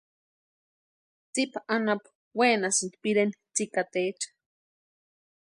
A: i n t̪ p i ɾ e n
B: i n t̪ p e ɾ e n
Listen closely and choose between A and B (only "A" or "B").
A